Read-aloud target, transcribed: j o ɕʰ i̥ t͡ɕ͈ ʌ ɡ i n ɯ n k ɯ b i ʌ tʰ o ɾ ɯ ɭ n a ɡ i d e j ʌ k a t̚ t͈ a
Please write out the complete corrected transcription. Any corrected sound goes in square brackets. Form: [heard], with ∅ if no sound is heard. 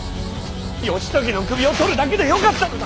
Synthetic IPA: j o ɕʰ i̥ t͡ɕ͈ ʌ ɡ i n ɯ n k ɯ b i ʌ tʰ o ɾ ɯ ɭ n a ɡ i d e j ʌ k a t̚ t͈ a